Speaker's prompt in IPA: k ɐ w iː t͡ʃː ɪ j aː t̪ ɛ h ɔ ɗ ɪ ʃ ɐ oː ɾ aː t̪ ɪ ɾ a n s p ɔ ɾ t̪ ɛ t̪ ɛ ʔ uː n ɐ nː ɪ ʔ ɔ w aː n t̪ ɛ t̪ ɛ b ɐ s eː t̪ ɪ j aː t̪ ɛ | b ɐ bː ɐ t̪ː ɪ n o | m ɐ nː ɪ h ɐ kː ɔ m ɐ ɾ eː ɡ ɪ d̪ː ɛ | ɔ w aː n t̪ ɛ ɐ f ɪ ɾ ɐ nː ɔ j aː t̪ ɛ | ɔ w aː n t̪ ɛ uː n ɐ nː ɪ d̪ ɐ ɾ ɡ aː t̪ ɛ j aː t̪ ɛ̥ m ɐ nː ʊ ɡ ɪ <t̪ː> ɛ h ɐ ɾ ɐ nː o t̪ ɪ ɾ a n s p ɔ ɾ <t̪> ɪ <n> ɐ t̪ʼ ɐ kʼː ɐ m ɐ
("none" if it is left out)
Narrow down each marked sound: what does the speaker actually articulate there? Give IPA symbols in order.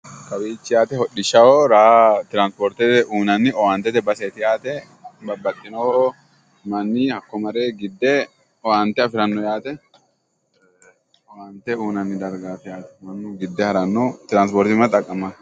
d̪ː, t̪, m

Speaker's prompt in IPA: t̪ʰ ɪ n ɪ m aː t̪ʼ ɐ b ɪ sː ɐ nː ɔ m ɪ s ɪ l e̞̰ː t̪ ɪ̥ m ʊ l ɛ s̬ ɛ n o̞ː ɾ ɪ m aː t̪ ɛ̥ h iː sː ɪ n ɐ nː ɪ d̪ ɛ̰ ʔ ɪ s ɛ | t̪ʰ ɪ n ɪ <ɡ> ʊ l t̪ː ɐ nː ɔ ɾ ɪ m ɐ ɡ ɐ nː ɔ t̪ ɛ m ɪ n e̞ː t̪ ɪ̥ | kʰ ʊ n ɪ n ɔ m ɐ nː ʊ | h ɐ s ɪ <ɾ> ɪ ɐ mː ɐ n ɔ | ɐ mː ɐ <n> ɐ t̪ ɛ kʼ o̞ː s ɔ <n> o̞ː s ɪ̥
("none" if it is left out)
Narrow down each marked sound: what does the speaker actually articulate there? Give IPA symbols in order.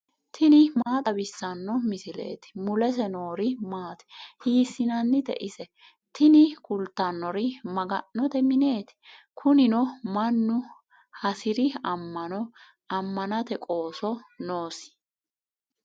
k, ɾ, n, n

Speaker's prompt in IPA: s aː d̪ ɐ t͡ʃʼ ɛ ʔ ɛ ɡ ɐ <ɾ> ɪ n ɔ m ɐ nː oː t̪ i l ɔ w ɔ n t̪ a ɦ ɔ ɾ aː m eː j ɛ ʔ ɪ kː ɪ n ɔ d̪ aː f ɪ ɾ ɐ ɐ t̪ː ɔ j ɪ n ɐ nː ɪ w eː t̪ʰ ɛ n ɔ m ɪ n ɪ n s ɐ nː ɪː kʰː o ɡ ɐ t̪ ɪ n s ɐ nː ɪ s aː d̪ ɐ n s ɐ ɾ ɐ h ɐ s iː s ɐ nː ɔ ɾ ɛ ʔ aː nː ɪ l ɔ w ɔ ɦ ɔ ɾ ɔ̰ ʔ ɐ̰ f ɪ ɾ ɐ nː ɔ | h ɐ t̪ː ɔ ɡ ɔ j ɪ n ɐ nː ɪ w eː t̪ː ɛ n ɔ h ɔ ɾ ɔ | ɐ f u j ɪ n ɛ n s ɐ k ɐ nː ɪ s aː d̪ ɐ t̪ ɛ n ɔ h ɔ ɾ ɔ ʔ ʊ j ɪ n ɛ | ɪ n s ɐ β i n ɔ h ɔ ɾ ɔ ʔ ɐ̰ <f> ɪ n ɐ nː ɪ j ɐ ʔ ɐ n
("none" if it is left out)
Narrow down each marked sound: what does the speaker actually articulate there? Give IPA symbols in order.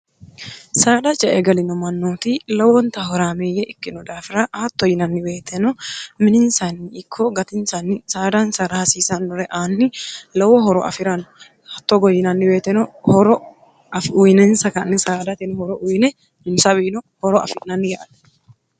l, f

